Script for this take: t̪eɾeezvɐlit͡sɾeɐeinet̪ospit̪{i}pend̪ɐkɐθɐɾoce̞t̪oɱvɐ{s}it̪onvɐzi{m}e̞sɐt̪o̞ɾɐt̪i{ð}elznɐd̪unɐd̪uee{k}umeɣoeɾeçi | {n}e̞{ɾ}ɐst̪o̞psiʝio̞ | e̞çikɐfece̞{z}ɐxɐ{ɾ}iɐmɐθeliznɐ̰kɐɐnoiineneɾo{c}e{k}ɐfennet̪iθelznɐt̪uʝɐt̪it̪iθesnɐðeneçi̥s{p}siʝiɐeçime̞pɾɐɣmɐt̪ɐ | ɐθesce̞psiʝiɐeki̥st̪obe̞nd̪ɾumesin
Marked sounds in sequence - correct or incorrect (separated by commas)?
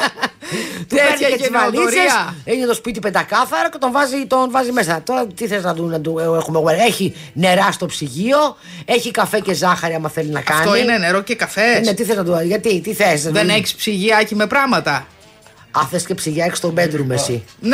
correct, incorrect, correct, incorrect, incorrect, correct, correct, correct, correct, correct, correct, correct